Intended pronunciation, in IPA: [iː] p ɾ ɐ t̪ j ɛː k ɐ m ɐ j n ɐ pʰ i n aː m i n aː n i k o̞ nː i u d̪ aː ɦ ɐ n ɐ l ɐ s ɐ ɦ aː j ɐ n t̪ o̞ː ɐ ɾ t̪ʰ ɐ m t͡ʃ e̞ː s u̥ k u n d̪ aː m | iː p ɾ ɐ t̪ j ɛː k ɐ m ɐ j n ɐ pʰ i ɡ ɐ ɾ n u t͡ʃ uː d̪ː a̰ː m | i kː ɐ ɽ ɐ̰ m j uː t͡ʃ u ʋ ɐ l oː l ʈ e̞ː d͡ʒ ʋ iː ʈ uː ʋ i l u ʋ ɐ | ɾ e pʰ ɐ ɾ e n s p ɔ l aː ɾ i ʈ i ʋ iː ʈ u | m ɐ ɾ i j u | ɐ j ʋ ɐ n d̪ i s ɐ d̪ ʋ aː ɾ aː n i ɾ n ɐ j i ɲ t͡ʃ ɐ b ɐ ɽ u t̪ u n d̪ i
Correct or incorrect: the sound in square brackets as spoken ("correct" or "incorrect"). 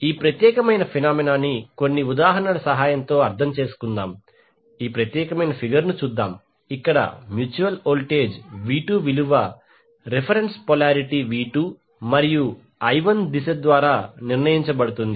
correct